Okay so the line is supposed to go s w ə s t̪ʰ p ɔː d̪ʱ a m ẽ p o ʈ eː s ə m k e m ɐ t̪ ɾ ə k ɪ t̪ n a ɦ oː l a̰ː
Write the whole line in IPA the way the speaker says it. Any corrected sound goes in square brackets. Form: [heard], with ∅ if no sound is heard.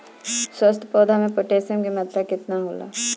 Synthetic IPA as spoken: s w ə s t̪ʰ p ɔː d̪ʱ a m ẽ p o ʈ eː s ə m k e m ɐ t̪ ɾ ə k ɪ t̪ n a ɦ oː l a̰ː